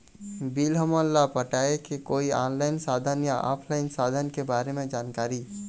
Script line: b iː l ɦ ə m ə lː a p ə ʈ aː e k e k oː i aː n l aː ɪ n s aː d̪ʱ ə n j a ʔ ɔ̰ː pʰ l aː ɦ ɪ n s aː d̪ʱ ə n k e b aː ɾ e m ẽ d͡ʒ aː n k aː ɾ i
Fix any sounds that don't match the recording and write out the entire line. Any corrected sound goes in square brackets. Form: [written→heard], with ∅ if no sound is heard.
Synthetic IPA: b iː l ɦ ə m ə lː a p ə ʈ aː e k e k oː i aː n l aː ɪ n s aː d̪ʱ ə n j a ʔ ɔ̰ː pʰ l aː [ɦ→∅] ɪ n s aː d̪ʱ ə n k e b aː ɾ e m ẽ d͡ʒ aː n k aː ɾ i